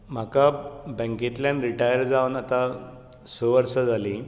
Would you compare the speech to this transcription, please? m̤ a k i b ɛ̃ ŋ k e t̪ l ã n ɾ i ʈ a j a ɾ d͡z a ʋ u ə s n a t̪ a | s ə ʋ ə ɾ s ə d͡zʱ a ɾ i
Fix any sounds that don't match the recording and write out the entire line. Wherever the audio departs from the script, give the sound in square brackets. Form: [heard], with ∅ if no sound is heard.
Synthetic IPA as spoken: m̤ a k [a] b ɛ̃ ŋ k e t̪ l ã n ɾ i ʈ a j [ə] ɾ d͡z a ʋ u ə [∅] n a t̪ a | s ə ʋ ə ɾ s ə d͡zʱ a [l] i